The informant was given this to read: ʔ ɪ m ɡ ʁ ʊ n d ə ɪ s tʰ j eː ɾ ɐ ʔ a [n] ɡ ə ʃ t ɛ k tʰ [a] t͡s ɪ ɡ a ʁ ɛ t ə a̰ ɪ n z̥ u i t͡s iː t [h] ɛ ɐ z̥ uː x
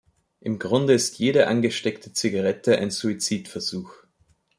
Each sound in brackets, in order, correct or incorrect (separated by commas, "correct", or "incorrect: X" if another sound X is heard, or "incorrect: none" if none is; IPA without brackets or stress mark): correct, incorrect: ə, incorrect: f